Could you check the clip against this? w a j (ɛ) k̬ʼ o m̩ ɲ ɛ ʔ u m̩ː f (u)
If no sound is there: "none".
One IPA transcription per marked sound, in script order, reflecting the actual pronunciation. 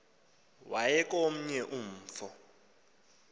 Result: ɛ, ɔ

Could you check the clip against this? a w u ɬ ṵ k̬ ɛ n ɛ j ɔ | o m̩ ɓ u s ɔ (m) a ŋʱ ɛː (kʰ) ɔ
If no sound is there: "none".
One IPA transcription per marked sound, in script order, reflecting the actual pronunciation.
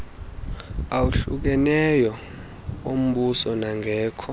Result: n, kʰ

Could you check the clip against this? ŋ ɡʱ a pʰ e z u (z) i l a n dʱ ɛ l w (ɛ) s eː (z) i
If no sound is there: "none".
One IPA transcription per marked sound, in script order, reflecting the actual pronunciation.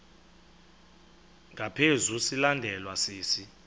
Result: s, a, s

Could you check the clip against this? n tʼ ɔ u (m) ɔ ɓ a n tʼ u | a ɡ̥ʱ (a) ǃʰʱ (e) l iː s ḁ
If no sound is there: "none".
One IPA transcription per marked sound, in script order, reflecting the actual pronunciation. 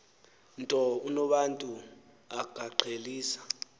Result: n, a, e

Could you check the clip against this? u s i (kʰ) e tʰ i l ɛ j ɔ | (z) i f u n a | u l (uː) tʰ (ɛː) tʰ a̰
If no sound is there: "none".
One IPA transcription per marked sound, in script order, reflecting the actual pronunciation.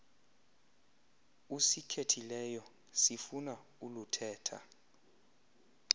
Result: kʰ, s, u, ɛː

